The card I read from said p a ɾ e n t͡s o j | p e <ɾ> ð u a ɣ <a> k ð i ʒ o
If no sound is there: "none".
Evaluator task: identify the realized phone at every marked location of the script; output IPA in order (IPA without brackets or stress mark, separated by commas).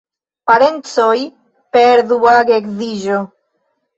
ɾ, e